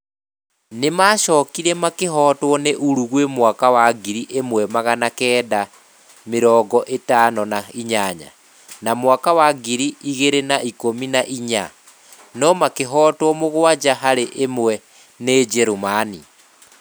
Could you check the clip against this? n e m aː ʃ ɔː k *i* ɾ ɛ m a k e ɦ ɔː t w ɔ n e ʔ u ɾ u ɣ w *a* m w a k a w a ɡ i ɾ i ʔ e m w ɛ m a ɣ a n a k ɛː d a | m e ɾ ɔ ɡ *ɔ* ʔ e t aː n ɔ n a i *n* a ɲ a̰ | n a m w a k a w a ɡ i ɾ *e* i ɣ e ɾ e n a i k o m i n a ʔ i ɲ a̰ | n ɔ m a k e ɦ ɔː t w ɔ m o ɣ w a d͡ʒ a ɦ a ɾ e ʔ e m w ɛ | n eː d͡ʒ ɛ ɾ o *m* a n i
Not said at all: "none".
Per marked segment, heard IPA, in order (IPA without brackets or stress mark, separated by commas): i, e, ɔ, ɲ, i, m